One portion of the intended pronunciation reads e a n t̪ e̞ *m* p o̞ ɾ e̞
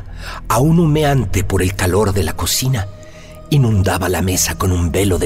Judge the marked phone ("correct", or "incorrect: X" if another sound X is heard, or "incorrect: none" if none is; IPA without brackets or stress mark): incorrect: none